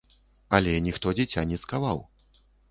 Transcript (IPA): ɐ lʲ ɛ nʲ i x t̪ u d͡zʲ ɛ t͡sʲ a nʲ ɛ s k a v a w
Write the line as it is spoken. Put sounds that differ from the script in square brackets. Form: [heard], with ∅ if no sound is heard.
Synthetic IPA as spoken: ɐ lʲ ɛ nʲ i x t̪ [ɔ] d͡zʲ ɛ t͡sʲ a nʲ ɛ s k a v a w

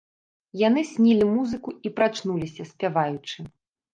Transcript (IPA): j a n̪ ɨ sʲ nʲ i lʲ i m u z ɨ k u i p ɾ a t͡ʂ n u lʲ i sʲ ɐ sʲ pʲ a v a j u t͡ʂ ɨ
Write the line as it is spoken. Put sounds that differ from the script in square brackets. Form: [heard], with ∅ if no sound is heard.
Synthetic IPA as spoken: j a n̪ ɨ sʲ nʲ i lʲ i m u z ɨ k u i p ɾ a t͡ʂ n u lʲ i sʲ ɐ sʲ pʲ a v a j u t͡ʂ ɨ

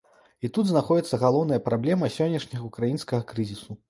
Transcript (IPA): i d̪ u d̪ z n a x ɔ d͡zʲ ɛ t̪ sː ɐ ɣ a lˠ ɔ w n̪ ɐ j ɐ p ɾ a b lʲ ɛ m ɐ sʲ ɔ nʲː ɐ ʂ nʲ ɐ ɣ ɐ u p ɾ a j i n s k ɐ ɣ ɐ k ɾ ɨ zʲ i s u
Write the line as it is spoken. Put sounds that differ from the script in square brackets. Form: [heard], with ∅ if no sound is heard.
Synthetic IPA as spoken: i [t̪] u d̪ z n a x ɔ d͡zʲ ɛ t̪ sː ɐ ɣ a lˠ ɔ w n̪ ɐ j ɐ p ɾ a b lʲ ɛ m ɐ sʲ ɔ nʲː ɐ ʂ nʲ ɐ ɣ ɐ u [k] ɾ a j i n s k ɐ ɣ ɐ k ɾ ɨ zʲ i s u

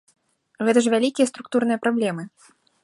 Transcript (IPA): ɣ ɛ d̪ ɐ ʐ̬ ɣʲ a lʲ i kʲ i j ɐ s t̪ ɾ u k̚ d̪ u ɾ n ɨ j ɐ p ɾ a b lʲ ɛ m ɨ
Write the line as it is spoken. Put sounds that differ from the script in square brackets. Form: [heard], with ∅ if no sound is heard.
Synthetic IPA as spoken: ɣ ɛ [t̪] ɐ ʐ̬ [vʲ] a lʲ i kʲ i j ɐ s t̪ ɾ u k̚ [t̪] u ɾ n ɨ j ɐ p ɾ a b lʲ ɛ m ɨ

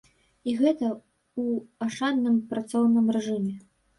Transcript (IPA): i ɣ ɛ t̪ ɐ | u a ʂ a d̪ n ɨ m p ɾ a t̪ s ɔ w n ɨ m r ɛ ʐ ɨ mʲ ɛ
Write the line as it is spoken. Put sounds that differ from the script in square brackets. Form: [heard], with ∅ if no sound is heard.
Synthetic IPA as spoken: i ɣ ɛ t̪ ɐ | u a ʂ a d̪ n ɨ m p ɾ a t̪ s ɔ w n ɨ m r ɛ ʐ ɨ mʲ ɛ

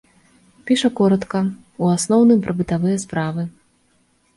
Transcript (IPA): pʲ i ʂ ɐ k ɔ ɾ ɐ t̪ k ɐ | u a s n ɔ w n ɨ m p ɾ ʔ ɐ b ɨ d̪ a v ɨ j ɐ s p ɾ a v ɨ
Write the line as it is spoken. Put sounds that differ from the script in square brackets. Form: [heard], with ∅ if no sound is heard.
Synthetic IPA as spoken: pʲ i ʂ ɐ k ɔ ɾ ɐ t̪ k ɐ | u a s n ɔ w n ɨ m p ɾ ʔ ɐ b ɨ [t̪] a v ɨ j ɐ s p ɾ a v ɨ

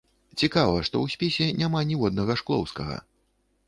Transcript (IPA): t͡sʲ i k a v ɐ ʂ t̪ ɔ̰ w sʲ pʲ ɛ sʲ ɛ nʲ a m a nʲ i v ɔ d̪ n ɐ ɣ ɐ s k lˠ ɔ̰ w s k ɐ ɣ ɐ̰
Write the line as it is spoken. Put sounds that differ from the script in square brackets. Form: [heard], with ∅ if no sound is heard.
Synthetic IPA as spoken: t͡sʲ i k a v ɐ ʂ t̪ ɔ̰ w sʲ pʲ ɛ sʲ ɛ nʲ a m a nʲ i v ɔ d̪ n ɐ ɣ ɐ [ʂ] k lˠ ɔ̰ w s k ɐ ɣ ɐ̰

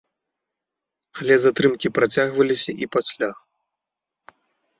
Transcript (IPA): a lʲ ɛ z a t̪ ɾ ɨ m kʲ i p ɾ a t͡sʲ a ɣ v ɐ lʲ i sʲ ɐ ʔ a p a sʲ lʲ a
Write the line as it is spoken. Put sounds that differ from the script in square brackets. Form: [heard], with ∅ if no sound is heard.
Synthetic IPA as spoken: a lʲ ɛ z a t̪ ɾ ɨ m kʲ i p ɾ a t͡sʲ a ɣ v ɐ lʲ i sʲ ɐ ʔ [i] p a sʲ lʲ a

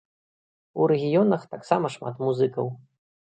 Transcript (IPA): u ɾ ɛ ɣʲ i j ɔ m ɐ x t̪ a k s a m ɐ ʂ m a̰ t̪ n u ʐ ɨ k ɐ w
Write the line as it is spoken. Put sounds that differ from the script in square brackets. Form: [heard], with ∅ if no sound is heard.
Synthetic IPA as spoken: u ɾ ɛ ɣʲ i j ɔ [n] ɐ x t̪ a k s a m ɐ ʂ m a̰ t̪ [m] u [z] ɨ k ɐ w

